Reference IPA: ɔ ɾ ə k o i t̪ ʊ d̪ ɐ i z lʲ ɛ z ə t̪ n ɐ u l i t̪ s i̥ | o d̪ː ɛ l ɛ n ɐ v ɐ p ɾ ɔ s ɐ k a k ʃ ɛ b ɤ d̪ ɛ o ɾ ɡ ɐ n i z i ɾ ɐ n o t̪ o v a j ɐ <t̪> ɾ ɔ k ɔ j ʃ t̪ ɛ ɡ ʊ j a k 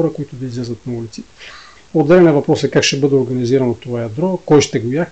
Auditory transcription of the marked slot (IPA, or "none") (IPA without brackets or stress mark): d̪